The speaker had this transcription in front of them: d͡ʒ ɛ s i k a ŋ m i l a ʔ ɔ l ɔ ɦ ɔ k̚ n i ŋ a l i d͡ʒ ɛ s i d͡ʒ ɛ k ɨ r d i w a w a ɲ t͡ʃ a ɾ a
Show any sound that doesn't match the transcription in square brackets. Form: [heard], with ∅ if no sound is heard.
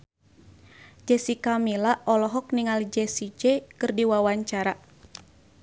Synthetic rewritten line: d͡ʒ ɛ s i k a [∅] m i l a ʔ ɔ l ɔ ɦ ɔ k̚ n i ŋ a l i d͡ʒ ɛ s i d͡ʒ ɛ k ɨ r d i w a w a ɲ t͡ʃ a ɾ a